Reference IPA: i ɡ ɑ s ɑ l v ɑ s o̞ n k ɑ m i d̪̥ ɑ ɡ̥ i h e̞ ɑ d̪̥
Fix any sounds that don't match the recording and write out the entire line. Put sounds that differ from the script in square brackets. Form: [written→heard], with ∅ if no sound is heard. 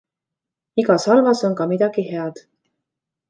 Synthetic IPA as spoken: i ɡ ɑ s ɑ l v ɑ s o̞ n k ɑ m i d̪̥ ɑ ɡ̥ i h e̞ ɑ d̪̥